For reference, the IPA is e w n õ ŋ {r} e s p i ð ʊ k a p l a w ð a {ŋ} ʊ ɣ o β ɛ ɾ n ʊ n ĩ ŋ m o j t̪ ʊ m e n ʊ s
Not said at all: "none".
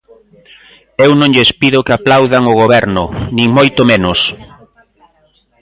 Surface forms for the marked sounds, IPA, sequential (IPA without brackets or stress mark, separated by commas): ʎ, ŋ